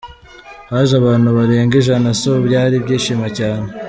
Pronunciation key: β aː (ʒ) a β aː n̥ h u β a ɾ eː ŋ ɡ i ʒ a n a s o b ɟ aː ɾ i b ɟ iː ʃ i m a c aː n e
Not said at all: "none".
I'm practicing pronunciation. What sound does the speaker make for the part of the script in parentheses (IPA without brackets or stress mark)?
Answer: ʒ